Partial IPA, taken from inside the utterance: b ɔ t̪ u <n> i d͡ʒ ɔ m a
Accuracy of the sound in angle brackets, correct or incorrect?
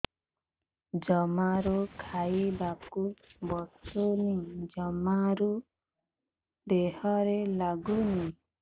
correct